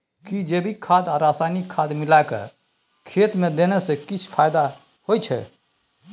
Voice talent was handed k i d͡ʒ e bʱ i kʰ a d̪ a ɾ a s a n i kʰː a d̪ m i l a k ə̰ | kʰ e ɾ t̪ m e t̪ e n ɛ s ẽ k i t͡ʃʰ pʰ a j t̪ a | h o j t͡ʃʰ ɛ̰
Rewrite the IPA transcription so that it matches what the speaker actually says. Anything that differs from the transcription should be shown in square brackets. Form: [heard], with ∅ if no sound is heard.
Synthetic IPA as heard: k i d͡ʒ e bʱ i kʰ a d̪ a ɾ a s a n i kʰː a d̪ m i l a k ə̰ | kʰ e [∅] t̪ m e [d̪] e n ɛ s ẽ k i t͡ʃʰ pʰ a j [d̪] a | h o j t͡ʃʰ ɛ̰